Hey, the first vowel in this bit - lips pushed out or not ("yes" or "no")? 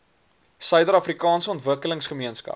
yes